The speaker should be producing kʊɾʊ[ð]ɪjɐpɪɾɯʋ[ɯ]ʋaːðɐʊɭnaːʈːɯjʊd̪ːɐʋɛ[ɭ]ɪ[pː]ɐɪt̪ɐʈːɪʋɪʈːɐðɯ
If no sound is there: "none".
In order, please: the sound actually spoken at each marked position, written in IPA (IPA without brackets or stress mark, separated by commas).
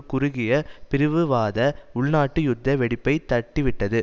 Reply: ɣ, ɯ, ɽ, pː